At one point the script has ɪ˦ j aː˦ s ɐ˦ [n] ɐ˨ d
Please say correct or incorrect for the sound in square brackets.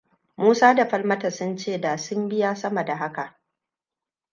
incorrect